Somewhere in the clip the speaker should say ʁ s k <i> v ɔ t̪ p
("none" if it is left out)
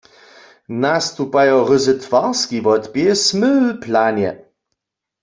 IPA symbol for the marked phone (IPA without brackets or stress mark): i